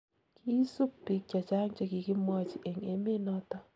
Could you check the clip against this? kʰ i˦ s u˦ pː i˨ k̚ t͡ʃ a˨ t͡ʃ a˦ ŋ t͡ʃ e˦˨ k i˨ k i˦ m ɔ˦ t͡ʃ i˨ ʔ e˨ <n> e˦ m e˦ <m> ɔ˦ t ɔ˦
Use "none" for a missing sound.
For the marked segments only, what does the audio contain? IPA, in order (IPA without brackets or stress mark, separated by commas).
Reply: ŋ, n